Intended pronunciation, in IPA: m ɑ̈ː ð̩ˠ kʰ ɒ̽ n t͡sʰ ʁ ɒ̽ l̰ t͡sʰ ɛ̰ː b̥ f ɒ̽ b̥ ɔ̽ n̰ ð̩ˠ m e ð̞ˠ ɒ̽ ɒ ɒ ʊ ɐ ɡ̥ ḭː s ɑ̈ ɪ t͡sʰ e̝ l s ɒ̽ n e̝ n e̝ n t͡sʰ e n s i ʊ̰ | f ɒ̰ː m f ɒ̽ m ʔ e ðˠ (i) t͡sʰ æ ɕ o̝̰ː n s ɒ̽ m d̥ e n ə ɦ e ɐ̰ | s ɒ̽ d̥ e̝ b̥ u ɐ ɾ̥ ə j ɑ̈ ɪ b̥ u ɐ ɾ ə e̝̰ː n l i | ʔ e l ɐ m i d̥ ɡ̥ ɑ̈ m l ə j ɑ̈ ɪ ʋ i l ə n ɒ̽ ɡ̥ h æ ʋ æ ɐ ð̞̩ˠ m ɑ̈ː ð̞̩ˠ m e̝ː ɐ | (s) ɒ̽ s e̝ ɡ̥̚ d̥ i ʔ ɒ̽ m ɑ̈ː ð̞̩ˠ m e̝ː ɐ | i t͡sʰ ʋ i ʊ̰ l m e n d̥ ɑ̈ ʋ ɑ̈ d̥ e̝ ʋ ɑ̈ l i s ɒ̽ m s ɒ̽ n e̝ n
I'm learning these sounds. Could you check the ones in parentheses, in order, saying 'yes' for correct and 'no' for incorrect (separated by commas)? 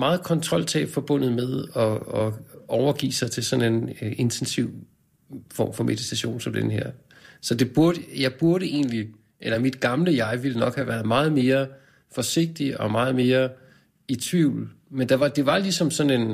yes, no